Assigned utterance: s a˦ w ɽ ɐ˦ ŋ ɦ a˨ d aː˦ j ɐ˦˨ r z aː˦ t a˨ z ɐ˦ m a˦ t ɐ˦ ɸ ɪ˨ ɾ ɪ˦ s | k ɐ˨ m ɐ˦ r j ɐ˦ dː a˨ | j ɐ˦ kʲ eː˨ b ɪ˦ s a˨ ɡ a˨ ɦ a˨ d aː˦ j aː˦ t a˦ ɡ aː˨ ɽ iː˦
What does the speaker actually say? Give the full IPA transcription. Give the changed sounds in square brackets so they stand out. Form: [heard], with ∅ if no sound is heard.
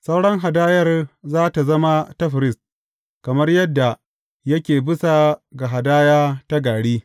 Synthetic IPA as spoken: s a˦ w ɽ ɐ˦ ŋ ɦ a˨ d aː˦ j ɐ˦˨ r z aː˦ t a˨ z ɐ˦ m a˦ t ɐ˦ ɸ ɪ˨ ɾ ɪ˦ s | k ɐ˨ m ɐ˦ r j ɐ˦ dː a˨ | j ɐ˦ kʲ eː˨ b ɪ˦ s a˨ ɡ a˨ ɦ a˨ d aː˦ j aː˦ t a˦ ɡ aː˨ ɽ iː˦